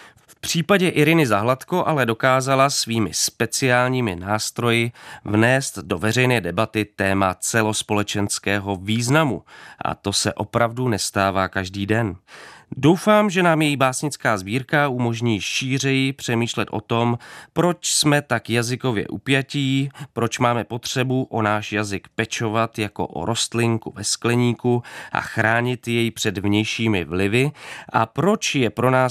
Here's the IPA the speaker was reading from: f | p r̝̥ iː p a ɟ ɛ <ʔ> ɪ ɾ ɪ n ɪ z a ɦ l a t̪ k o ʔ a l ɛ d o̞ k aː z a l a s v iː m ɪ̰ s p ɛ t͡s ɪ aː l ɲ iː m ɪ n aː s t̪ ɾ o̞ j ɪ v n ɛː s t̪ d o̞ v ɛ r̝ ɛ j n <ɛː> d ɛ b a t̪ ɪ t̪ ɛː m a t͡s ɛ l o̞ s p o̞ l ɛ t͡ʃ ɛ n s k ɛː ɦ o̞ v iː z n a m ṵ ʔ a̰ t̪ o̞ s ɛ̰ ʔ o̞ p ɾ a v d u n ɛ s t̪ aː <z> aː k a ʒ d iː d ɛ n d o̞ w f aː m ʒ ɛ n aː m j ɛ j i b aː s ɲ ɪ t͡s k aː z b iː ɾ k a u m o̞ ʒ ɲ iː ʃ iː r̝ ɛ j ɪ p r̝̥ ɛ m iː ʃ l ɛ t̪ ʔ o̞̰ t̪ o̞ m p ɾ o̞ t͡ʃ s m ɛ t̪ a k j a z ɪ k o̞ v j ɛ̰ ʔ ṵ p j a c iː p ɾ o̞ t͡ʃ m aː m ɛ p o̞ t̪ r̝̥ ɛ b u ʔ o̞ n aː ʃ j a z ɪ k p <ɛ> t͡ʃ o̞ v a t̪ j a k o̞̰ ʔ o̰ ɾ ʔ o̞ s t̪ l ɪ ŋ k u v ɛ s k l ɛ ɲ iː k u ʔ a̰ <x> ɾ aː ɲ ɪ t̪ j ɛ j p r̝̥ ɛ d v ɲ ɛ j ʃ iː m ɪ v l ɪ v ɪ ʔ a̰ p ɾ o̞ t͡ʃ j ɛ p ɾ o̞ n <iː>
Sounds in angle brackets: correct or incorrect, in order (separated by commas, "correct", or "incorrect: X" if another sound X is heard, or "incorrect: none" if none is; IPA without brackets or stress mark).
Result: correct, correct, incorrect: v, correct, correct, incorrect: aː